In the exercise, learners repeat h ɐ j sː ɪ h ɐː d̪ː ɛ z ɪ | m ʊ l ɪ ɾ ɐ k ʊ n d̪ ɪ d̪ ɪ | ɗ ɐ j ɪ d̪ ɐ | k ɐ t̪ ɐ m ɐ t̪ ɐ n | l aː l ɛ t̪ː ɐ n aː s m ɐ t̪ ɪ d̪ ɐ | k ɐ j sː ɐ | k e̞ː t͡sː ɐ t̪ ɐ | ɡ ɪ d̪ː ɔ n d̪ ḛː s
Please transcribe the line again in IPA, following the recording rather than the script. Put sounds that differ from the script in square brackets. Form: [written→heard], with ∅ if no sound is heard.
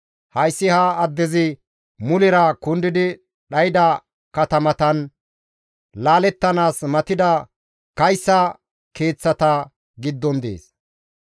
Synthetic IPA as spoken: h ɐ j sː ɪ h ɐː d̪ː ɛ z ɪ | m ʊ l ɪ ɾ ɐ k ʊ n d̪ ɪ d̪ ɪ | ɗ ɐ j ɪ d̪ ɐ | k ɐ t̪ ɐ m ɐ t̪ ɐ n | l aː l ɛ t̪ː ɐ n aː s m ɐ t̪ ɪ d̪ ɐ | k ɐ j sː ɐ | k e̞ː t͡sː ɐ t̪ ɐ | ɡ ɪ d̪ː ɔ n d̪ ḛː s